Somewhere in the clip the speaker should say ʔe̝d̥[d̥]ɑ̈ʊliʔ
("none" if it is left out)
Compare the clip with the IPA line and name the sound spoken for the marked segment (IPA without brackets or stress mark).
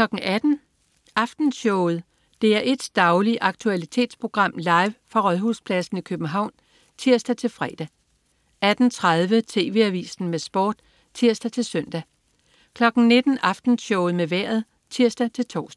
d̥